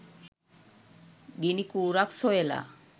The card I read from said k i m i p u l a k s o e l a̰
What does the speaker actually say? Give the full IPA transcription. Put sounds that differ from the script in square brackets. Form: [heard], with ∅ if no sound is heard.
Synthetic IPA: [ɡ] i [n] i [k] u [ɾ] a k s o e l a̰